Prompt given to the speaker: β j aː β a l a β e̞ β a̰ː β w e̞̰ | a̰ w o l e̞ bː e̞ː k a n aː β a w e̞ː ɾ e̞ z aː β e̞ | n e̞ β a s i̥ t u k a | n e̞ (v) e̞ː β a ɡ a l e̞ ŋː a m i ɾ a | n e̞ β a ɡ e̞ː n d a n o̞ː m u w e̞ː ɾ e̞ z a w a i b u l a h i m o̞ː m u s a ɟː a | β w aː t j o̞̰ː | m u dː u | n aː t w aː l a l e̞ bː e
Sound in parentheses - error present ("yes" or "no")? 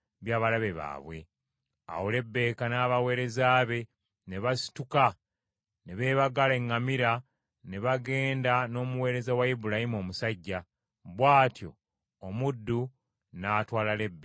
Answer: yes